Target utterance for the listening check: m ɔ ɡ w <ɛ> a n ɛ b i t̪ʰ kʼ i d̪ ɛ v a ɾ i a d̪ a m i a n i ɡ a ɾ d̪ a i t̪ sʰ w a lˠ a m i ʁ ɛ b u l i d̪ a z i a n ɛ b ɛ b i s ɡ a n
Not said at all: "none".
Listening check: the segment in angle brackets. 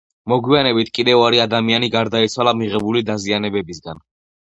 i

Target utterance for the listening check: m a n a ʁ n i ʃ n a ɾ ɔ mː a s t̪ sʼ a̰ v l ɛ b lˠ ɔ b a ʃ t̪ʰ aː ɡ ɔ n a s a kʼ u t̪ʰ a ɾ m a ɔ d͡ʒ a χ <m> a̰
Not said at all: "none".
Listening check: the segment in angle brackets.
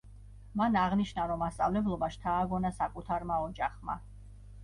m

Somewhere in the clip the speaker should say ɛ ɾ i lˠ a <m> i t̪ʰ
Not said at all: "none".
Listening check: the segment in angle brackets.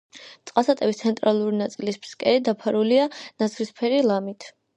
m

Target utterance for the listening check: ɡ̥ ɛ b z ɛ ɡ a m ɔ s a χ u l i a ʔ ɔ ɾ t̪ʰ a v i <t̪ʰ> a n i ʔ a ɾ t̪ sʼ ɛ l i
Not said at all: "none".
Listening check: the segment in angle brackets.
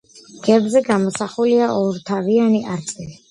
none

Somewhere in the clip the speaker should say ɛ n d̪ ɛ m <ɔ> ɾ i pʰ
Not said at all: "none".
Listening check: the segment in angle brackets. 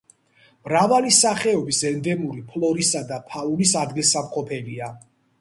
u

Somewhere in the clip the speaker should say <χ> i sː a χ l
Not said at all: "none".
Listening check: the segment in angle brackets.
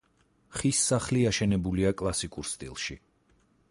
χ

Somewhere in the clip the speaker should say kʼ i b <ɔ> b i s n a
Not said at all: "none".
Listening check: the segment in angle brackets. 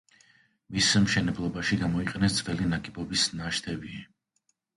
ɔ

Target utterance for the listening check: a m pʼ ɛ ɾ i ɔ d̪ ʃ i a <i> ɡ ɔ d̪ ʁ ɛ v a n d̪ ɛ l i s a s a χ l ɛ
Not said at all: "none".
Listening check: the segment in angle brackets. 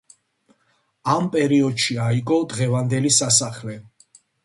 i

